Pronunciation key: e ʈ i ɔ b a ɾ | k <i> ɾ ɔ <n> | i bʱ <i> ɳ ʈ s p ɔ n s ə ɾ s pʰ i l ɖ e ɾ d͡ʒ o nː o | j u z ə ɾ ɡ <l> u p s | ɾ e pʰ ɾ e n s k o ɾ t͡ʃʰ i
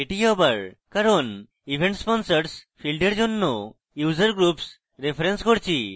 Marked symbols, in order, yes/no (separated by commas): no, yes, no, no